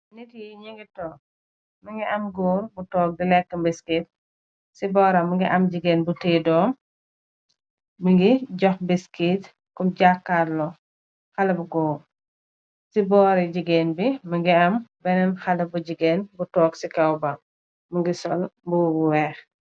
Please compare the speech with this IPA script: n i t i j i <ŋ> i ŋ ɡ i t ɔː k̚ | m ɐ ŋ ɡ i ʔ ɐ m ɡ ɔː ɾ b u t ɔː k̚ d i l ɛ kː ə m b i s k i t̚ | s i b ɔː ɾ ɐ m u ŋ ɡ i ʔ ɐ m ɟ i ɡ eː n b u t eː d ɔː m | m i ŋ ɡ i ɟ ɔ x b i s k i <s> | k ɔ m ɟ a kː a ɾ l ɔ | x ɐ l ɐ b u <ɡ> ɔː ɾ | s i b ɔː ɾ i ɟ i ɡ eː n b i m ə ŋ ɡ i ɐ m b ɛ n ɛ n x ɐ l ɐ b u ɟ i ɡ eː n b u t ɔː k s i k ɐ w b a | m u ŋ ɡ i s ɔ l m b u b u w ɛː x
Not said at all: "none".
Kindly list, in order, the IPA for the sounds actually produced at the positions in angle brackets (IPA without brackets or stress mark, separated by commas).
ɲ, t, ɡ